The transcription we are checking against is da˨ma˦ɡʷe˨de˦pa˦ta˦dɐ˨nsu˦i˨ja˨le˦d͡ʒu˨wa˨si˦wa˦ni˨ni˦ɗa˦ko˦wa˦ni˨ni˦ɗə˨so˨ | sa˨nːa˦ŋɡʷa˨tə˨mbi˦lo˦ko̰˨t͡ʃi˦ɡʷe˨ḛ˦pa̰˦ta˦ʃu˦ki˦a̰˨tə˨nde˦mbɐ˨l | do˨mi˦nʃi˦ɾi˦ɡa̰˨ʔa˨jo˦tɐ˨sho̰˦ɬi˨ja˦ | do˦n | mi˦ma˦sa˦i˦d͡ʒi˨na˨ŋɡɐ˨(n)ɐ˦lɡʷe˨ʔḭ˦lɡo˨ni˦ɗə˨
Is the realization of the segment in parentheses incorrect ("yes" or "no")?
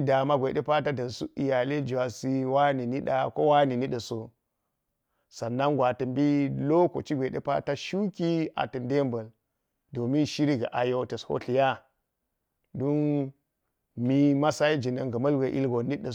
yes